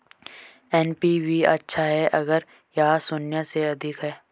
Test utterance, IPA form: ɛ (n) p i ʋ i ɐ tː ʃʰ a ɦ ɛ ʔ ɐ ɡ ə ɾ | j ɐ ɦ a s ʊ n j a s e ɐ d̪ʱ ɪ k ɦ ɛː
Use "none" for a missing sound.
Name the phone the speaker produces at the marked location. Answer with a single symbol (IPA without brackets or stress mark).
n